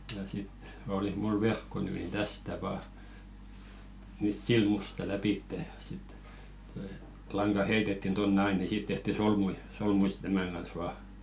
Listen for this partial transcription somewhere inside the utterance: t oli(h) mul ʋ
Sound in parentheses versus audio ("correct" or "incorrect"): correct